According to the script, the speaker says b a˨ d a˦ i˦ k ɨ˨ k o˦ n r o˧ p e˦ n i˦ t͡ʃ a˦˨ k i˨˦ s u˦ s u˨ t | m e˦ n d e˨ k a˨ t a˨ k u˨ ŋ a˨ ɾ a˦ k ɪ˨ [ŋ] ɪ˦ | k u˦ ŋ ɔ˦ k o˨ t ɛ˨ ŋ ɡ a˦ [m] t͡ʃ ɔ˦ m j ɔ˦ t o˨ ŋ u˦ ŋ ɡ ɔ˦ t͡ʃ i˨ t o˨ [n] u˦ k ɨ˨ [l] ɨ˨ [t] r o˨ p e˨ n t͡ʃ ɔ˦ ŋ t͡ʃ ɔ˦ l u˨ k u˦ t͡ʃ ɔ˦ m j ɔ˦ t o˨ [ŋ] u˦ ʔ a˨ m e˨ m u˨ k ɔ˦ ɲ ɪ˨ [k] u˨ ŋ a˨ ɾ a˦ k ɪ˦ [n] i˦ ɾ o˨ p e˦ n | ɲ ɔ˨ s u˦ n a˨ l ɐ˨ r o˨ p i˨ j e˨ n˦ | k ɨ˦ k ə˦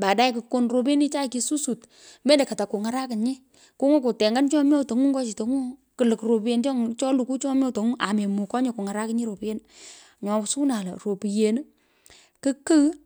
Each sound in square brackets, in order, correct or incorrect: incorrect: ɲ, incorrect: n, incorrect: ŋ, correct, incorrect: k, correct, correct, incorrect: ɲ

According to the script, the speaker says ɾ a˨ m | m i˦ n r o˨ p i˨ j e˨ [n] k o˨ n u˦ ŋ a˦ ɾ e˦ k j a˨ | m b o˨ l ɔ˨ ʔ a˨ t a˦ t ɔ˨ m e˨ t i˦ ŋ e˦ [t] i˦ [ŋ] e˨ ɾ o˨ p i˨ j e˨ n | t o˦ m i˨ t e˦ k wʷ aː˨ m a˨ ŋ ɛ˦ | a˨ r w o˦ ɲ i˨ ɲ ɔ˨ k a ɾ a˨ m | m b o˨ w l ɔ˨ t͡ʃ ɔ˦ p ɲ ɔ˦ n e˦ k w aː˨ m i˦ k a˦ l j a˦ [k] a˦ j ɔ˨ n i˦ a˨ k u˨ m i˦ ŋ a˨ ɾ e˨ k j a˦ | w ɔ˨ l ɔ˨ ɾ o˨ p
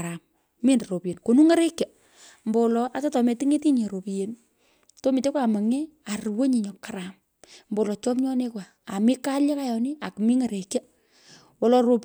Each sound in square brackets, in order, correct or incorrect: correct, correct, incorrect: ɲ, correct

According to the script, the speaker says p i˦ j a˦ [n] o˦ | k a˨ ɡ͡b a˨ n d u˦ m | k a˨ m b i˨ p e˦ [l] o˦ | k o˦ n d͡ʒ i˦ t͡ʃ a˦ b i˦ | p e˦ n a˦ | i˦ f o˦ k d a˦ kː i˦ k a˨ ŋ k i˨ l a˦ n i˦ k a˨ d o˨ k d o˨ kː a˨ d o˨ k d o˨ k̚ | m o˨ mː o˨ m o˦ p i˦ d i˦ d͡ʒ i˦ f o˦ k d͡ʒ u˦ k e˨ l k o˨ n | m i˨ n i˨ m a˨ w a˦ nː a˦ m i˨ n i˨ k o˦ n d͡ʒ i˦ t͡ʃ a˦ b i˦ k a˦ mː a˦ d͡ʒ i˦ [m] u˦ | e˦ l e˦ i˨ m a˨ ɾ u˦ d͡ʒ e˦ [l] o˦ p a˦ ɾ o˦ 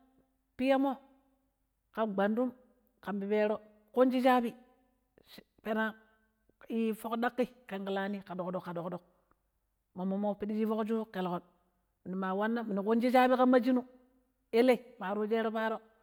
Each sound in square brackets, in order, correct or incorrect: incorrect: m, incorrect: ɾ, incorrect: n, incorrect: ɾ

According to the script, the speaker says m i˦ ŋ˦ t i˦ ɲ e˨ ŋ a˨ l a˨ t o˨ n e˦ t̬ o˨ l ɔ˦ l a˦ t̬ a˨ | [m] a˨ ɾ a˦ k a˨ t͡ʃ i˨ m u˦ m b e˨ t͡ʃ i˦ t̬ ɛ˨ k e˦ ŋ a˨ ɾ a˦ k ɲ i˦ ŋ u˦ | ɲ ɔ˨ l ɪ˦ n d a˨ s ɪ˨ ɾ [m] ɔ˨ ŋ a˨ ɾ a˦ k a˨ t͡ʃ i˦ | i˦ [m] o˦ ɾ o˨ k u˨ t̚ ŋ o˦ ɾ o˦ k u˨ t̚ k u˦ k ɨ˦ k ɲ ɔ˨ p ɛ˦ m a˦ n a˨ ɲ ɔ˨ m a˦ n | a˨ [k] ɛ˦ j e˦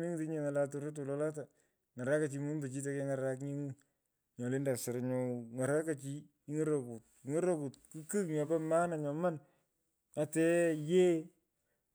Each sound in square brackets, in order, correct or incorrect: incorrect: ŋ, incorrect: ɲ, incorrect: ŋ, incorrect: t

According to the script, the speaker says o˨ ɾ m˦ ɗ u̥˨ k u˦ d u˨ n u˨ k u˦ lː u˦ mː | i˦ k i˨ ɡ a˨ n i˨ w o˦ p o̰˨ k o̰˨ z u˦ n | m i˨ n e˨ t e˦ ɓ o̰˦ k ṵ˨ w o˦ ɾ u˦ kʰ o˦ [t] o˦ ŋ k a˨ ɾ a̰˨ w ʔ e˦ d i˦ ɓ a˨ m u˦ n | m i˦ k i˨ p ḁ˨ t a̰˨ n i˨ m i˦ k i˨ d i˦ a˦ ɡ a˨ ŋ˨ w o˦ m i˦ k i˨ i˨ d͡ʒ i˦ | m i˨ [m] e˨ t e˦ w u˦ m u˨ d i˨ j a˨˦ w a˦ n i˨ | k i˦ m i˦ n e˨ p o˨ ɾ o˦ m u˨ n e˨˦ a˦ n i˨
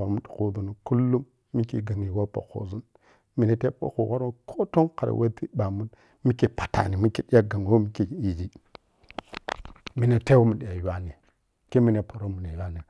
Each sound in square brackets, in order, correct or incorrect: correct, incorrect: n

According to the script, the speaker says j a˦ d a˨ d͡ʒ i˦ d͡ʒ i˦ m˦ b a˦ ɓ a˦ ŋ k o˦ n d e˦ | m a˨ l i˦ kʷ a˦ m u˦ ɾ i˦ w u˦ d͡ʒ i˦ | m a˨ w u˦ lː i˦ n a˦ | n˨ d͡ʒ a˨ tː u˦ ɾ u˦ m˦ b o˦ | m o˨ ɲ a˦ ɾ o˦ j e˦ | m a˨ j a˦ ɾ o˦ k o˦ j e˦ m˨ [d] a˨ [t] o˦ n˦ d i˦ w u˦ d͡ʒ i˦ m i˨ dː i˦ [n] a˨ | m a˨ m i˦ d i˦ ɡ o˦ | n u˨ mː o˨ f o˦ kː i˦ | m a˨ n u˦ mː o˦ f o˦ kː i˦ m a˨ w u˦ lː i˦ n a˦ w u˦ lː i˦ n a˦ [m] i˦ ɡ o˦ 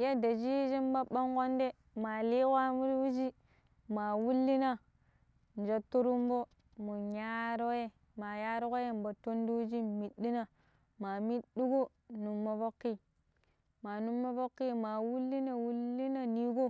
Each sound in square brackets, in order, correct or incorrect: incorrect: b, correct, correct, incorrect: n

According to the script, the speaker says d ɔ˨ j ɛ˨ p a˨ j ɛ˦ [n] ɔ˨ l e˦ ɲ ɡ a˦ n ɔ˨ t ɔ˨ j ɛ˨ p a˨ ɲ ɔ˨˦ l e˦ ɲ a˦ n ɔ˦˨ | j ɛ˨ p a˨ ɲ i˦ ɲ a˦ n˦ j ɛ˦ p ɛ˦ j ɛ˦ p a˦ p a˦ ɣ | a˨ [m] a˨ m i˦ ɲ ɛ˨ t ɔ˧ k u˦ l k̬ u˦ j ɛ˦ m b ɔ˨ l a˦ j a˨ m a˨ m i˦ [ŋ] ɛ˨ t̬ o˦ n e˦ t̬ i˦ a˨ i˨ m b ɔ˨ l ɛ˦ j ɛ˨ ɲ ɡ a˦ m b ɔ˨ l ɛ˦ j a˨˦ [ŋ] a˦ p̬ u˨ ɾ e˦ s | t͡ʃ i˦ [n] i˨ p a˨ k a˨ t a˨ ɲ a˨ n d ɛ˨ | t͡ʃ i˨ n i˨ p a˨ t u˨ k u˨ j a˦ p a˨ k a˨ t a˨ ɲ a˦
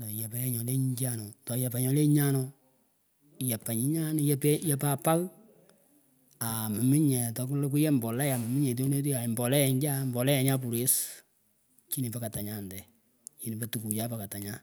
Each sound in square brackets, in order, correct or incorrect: incorrect: ɲ, correct, incorrect: ɲ, incorrect: ɲ, correct

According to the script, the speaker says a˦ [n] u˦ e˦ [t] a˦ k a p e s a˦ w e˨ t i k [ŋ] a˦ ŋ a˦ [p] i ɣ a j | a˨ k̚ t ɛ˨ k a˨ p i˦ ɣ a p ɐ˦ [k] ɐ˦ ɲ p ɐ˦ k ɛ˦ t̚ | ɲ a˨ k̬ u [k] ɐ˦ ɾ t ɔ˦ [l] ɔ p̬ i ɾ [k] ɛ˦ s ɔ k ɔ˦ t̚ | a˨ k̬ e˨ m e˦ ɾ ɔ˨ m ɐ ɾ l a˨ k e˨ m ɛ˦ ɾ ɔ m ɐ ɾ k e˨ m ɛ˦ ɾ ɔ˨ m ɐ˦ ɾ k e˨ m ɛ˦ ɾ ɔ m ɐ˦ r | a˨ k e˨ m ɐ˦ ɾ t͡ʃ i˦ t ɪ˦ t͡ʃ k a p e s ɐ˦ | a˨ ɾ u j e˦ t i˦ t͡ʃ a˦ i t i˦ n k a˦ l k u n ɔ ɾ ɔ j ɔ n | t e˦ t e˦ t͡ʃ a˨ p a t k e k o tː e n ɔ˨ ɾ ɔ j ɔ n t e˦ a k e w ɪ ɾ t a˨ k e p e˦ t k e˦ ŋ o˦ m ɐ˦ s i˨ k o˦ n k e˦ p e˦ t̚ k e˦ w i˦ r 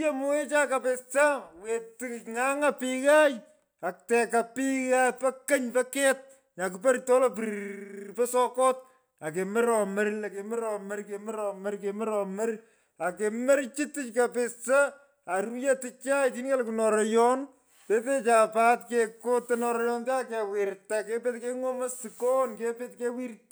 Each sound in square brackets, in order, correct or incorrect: incorrect: m, incorrect: t͡ʃ, correct, correct, correct, incorrect: p, correct, incorrect: p

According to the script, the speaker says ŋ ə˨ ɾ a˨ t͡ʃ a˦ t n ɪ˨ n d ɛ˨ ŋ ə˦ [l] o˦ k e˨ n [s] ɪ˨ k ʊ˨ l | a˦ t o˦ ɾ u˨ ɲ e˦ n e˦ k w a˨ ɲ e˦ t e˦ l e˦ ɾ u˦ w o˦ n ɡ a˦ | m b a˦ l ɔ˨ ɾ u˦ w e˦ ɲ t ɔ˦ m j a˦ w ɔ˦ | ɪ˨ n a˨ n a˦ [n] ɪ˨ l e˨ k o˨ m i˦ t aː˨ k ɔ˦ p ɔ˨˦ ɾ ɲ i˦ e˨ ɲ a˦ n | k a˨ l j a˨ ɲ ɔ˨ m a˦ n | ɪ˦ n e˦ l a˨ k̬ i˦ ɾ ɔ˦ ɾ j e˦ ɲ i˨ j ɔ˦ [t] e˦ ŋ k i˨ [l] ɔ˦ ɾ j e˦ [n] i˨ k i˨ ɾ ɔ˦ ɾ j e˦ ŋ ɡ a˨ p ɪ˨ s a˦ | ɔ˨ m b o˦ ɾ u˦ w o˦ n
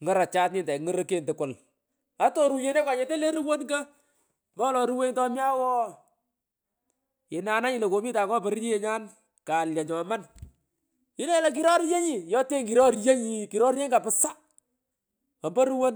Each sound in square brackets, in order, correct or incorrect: incorrect: ɾ, incorrect: t, incorrect: ɲ, correct, incorrect: ɾ, incorrect: ɲ

